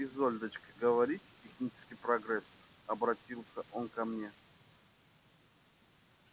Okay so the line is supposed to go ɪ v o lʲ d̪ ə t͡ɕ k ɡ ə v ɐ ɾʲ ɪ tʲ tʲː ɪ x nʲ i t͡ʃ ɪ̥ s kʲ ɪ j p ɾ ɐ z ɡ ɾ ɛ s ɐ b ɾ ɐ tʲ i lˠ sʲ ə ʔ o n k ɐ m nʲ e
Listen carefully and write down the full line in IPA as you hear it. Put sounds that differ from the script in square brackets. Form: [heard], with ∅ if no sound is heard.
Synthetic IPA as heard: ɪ [z] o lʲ d̪ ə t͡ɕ k ɡ ə v ɐ ɾʲ [i] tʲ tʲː ɪ x nʲ i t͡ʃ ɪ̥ s kʲ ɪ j p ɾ ɐ [∅] ɡ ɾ ɛ s ɐ b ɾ ɐ tʲ i lˠ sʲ ə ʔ o n k ɐ m nʲ e